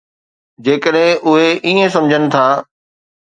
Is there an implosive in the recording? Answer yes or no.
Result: yes